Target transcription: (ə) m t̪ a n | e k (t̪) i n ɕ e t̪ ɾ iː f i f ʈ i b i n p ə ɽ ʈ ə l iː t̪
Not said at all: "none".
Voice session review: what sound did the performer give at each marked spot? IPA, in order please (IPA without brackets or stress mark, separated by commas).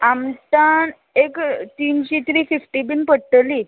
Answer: a, t̪